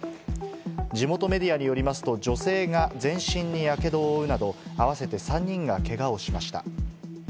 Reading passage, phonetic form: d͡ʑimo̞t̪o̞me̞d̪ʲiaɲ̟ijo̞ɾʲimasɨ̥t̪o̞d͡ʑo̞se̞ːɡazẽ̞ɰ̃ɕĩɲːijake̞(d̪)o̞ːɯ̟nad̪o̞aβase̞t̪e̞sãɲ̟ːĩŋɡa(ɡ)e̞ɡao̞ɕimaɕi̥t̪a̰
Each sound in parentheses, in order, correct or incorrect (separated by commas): correct, incorrect